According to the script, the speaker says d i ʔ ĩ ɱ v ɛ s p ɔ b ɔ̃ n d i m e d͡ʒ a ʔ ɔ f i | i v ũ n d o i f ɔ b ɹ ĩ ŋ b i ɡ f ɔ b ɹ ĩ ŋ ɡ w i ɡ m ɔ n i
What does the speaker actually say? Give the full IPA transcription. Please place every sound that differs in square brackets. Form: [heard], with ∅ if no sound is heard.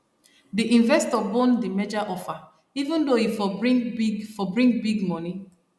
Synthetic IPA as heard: d i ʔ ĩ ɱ v ɛ s [t] ɔ b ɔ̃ n d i m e d͡ʒ a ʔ ɔ f [a] | i v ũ n d o i f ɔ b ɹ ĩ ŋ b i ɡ f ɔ b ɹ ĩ ŋ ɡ [b] i ɡ m ɔ n i

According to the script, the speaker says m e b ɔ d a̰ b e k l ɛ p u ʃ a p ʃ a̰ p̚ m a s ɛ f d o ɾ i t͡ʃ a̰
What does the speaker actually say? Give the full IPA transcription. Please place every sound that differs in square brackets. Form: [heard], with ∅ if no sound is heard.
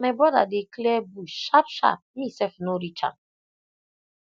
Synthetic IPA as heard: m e b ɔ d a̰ [d] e k l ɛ [b] u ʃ a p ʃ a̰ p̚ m [i] s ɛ f [n] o ɾ i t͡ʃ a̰

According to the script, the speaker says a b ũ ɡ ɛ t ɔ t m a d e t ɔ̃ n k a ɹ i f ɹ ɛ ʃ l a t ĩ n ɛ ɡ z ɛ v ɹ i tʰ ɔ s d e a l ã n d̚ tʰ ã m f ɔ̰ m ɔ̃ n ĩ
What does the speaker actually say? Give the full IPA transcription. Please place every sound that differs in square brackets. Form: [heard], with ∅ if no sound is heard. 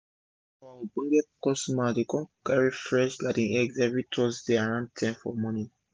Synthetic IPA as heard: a b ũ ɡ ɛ [k] ɔ [s] m a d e [k] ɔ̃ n k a ɹ i f ɹ ɛ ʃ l a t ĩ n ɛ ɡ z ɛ v ɹ i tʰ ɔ s d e a [ɹ] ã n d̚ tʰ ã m f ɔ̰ m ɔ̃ n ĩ

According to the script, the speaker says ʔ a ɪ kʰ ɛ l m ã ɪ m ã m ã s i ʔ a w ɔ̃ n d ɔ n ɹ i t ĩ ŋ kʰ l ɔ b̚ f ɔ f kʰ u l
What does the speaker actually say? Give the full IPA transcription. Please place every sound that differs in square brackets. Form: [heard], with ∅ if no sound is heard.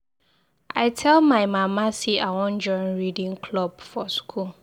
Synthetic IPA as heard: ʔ a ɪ [tʰ] ɛ l m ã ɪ m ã m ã s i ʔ a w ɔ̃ n [d͡ʒ] ɔ n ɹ i [d] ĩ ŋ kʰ l ɔ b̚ f ɔ [s] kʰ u l

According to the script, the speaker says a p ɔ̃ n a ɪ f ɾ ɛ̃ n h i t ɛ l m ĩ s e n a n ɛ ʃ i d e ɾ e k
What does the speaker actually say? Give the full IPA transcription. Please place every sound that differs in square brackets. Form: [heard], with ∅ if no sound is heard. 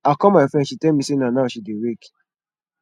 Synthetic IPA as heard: a [k] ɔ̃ [m] a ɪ f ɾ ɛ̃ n [ʃ] i t ɛ l m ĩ s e n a n [a] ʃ i d e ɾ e k

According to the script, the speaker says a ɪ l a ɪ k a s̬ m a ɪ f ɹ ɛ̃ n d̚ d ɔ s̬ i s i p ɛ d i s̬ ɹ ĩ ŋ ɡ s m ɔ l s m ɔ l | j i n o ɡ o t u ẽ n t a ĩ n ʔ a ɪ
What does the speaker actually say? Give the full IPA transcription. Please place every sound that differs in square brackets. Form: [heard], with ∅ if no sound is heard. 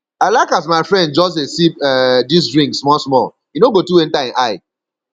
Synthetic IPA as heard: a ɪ l a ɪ k a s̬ m a ɪ f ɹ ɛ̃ n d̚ [d͡ʒ] ɔ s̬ [e] s i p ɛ d i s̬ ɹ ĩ ŋ ɡ s m ɔ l s m ɔ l | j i n o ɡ o t u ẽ n t a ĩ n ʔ a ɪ

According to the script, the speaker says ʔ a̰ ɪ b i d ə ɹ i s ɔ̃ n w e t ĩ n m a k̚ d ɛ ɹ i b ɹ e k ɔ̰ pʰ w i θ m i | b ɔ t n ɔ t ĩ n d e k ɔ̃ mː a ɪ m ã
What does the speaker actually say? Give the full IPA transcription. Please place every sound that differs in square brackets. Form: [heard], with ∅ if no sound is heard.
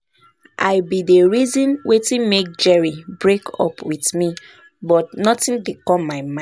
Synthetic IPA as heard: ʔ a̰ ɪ b i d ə ɹ i [z] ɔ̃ n w e t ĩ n m [e] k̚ [d͡ʒ] ɛ ɹ i b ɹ e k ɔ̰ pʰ w i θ m i | b ɔ t n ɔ t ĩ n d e k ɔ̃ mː a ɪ m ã

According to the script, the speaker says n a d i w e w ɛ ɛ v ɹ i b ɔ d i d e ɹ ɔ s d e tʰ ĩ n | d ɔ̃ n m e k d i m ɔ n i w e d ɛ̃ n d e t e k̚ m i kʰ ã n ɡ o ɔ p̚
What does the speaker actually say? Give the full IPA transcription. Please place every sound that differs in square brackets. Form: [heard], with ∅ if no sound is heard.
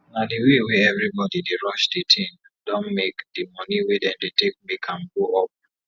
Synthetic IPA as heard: n a d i w e w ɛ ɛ v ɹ i b ɔ d i d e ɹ ɔ [ʃ] d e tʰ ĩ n | d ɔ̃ n m e k d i m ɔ n i w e d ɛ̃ n d e t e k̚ m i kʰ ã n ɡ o ɔ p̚

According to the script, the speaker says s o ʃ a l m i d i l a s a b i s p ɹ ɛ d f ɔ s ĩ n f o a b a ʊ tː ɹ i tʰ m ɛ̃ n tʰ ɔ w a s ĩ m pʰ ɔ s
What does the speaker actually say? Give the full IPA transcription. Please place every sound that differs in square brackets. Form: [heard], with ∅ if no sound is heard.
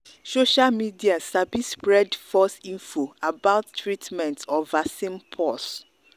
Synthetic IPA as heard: s o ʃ a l m i d i [∅] a s a b i s p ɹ ɛ d f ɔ s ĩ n f o a b a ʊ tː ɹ i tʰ m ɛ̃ n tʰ ɔ [v] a s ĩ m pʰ ɔ s

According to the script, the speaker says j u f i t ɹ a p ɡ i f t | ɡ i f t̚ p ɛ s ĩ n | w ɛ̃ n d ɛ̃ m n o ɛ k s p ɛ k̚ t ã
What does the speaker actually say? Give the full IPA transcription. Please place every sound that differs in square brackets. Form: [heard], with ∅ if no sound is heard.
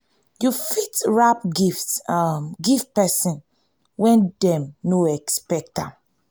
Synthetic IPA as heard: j u f i t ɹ a p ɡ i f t | ɡ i f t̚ p ɛ s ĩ n | w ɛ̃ n d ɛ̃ m n o ɛ k s p ɛ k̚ t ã

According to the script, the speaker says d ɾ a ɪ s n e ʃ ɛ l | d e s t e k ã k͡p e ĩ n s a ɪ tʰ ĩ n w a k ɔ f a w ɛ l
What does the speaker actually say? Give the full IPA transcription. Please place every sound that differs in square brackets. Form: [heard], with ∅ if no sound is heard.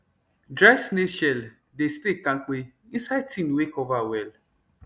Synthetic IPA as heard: d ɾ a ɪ s n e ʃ ɛ l | d e s t e k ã k͡p e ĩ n s a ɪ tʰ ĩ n w [e] k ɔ [v] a w ɛ l

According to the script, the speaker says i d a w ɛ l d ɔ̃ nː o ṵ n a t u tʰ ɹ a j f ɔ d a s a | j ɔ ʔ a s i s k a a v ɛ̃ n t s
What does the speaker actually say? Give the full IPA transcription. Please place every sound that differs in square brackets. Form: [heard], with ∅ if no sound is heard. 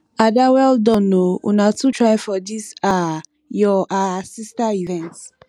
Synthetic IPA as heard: [a] d a w ɛ l d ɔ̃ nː o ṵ n a t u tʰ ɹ a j f ɔ d [i] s a | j ɔ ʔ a s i s [t] a [i] v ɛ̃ n t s

